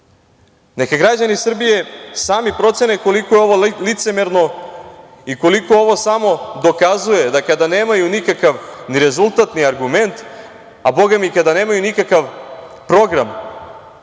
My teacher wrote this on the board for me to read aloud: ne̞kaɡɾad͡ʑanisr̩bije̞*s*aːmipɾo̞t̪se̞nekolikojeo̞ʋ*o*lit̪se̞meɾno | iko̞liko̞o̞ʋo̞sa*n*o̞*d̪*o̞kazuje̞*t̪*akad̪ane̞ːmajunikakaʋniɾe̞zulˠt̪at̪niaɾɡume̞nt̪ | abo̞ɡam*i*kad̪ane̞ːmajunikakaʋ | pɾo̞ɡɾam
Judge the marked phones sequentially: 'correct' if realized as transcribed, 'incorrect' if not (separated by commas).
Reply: correct, correct, incorrect, correct, incorrect, correct